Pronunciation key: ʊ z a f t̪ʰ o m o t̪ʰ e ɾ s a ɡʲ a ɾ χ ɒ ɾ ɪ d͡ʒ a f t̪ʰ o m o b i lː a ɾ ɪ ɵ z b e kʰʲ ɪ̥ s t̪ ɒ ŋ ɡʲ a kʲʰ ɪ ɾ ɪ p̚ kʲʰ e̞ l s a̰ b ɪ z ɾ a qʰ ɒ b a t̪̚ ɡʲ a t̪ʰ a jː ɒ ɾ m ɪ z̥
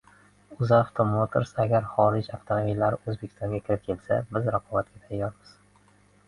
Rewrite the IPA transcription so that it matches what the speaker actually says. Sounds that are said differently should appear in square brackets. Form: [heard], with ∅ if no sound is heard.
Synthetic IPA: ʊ z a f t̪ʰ o m o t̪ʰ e ɾ s a ɡʲ a ɾ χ ɒ ɾ ɪ d͡ʒ a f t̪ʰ o m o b i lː a ɾ ɪ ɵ z b e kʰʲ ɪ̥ s t̪ ɒ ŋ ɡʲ a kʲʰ ɪ ɾ ɪ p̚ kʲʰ e̞ l s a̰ b ɪ z ɾ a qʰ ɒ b a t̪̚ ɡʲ a t̪ʰ a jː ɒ ɾ m ɪ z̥